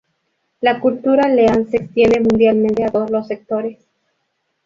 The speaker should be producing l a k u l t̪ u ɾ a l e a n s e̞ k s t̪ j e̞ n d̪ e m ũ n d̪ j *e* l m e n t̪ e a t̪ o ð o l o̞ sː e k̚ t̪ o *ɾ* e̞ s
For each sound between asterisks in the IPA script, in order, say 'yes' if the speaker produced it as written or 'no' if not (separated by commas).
no, yes